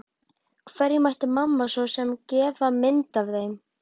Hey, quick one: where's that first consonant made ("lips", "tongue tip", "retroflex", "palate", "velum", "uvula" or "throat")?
velum